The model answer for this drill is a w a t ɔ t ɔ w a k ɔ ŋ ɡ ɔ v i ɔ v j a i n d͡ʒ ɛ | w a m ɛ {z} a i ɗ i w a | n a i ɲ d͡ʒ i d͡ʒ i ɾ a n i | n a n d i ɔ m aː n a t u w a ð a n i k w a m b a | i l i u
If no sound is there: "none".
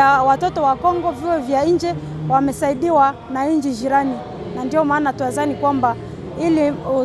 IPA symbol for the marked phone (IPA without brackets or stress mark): s